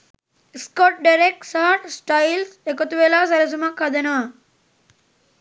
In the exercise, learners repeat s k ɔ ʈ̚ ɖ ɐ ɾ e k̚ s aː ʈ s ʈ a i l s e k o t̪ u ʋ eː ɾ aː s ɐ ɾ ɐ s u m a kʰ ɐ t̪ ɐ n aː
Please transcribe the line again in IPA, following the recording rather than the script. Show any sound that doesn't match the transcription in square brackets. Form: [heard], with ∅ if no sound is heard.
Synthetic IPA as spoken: s k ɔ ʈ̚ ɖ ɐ ɾ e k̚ s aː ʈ s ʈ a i l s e k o t̪ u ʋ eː [l] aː s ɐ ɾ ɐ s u m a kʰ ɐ [d̪] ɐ n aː